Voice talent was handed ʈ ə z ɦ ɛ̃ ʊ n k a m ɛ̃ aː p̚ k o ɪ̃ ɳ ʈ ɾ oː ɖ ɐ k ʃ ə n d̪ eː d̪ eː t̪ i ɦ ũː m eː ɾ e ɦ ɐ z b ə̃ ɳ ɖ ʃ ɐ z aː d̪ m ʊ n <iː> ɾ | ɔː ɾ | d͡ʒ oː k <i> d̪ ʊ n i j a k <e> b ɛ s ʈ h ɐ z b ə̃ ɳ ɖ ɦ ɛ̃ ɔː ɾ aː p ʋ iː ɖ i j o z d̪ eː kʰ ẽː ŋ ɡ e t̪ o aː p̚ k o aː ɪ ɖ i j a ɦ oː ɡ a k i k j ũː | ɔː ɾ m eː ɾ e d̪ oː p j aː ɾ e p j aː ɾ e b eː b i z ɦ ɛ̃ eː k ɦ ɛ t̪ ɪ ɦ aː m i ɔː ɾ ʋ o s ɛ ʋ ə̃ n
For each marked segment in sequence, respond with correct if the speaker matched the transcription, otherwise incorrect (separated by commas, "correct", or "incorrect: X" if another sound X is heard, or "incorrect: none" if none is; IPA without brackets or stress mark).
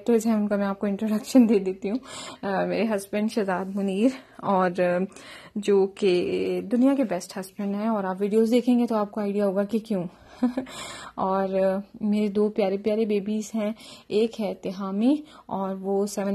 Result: correct, incorrect: e, correct